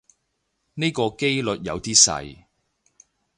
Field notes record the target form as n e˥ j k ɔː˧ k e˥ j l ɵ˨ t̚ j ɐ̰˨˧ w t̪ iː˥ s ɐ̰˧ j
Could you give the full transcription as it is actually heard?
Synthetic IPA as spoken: n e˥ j k ɔː˧ k e˥ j l ɵ˨ t̚ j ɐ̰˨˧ w t̪ iː˥ s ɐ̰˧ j